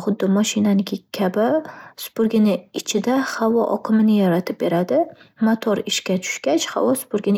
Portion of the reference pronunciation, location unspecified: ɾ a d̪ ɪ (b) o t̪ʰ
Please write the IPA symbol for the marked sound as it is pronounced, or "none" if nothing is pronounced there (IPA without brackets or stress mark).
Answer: m